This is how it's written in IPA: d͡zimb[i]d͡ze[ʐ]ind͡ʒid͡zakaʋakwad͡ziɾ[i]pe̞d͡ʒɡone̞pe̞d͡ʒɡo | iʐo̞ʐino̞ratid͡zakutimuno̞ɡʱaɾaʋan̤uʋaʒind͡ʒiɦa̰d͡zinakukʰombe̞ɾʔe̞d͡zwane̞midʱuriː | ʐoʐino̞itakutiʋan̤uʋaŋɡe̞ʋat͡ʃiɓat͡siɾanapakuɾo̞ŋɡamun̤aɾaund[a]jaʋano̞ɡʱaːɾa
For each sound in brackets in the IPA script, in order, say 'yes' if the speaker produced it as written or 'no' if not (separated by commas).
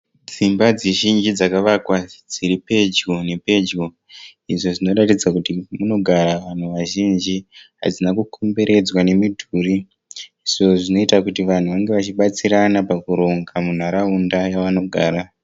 no, no, yes, yes